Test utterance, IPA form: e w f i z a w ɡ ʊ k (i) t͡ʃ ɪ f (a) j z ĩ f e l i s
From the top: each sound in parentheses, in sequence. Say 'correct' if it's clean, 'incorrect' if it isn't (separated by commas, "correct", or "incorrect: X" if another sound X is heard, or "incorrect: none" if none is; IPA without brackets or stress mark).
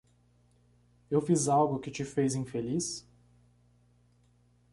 incorrect: ɪ, incorrect: e